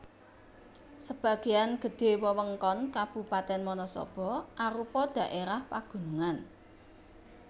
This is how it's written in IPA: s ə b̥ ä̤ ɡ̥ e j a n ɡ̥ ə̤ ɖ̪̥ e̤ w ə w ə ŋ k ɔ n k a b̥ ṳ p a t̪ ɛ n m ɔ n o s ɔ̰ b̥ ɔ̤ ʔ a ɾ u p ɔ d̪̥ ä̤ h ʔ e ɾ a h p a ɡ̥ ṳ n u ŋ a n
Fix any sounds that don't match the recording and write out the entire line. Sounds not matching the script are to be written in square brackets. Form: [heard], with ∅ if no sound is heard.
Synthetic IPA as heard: s ə b̥ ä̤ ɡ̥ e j a n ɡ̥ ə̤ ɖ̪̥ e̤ w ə w ə ŋ k ɔ n k a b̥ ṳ p a t̪ ɛ n m ɔ n [ɔ] s ɔ̰ b̥ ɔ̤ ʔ a ɾ u p ɔ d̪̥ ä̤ [∅] ʔ e ɾ a h p a ɡ̥ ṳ n u ŋ a n